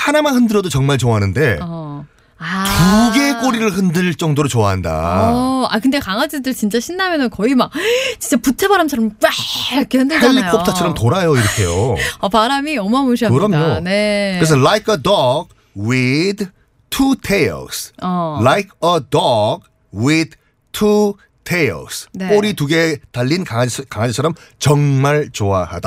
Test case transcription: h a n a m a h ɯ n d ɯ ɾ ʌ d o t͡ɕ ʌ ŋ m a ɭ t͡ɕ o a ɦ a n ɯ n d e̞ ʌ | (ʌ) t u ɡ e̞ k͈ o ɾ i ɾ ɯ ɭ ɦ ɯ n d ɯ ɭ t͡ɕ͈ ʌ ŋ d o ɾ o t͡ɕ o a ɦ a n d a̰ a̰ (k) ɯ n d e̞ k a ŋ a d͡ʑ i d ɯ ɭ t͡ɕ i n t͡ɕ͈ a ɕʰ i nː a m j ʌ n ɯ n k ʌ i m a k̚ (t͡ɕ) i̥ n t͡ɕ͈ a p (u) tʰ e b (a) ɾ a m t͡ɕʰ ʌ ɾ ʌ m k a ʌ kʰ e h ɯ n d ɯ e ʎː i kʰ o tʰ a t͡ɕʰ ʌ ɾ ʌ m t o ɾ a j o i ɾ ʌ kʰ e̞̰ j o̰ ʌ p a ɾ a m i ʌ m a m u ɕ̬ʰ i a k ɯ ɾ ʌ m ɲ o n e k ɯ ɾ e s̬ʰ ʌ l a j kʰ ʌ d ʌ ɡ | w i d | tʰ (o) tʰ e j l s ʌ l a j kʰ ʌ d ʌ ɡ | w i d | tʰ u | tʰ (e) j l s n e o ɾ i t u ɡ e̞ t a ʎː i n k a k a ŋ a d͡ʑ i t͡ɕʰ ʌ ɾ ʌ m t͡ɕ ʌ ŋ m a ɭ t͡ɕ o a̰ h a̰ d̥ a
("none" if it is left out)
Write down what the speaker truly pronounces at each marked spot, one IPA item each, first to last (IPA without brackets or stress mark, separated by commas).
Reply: a, k, t͡ɕ, u, a, u, e